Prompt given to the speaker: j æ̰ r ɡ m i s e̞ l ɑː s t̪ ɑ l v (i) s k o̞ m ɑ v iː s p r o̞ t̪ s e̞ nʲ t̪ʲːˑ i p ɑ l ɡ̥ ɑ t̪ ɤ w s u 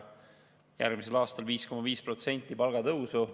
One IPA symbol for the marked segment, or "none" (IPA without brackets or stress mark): iː